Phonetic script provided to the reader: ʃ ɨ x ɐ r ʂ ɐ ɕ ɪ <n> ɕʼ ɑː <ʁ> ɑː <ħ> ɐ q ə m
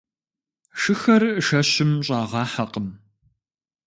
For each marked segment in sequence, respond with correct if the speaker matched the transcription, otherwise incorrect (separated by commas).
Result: incorrect, correct, correct